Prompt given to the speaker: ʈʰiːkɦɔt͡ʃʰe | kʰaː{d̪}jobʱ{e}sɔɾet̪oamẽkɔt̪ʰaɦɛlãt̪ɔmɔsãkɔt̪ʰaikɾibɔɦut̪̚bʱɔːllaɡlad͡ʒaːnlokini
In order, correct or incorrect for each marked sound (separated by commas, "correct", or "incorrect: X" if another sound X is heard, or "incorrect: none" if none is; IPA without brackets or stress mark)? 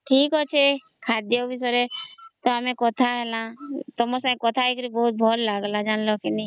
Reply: correct, incorrect: i